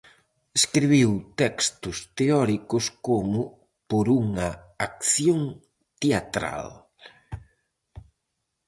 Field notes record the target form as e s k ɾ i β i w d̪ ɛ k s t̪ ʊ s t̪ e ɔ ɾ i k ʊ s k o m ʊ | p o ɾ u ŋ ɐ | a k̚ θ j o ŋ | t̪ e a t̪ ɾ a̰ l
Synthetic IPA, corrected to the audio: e s k ɾ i β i w t̪ ɛ k s t̪ ʊ s t̪ e ɔ ɾ i k ʊ s k o m ʊ | p o ɾ u ŋ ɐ | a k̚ θ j o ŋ | t̪ e a t̪ ɾ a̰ l